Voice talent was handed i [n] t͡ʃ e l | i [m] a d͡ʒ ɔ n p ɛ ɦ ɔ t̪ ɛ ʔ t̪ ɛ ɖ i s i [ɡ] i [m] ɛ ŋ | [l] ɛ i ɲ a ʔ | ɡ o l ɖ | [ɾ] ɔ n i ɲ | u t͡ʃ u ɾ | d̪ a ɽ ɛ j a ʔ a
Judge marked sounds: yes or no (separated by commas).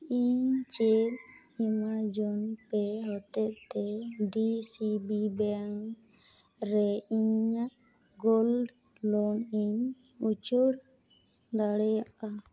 no, yes, no, no, no, no